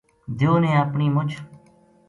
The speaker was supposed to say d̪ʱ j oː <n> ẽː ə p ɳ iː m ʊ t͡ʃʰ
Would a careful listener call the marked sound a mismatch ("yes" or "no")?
no